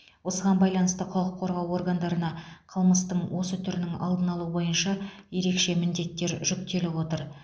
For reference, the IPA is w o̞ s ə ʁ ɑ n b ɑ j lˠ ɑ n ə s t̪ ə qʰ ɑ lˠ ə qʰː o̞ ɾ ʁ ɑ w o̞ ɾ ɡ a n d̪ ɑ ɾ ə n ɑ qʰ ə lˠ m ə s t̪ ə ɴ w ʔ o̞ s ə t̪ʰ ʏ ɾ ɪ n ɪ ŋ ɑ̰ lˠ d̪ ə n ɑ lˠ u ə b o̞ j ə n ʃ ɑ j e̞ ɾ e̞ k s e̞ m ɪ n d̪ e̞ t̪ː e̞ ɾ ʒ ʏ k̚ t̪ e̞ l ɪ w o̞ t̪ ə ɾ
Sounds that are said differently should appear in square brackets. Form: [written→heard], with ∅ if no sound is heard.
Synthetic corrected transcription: w o̞ s ə ʁ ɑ n b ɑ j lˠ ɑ n ə s t̪ ə qʰ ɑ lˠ ə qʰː o̞ ɾ ʁ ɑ w o̞ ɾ ɡ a n d̪ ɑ ɾ ə n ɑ qʰ ə lˠ m ə s t̪ ə ɴ w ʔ o̞ s ə t̪ʰ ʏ ɾ ɪ n ɪ ŋ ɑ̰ lˠ d̪ ə n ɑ lˠ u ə b o̞ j ə n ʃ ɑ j e̞ ɾ e̞ k [s→ʃ] e̞ m ɪ n d̪ e̞ t̪ː e̞ ɾ ʒ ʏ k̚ t̪ e̞ l ɪ w o̞ t̪ ə ɾ